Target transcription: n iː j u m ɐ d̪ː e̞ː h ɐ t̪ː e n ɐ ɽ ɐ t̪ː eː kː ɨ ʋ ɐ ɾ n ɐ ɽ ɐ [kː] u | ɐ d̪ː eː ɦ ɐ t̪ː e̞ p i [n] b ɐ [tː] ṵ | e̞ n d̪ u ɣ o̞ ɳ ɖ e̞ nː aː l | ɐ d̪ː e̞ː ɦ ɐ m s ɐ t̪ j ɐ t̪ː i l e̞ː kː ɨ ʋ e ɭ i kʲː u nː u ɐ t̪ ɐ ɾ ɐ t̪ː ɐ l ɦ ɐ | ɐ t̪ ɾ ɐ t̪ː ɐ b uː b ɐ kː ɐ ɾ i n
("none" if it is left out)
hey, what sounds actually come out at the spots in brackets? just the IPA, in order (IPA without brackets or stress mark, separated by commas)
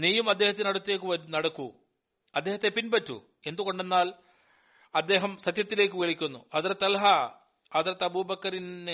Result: kː, n, tː